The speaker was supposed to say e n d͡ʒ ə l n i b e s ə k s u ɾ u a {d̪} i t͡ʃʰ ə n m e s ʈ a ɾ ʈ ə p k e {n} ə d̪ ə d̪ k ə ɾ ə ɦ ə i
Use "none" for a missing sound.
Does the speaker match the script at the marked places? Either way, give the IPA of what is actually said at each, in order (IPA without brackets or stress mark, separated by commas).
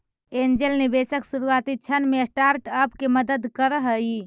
t̪, m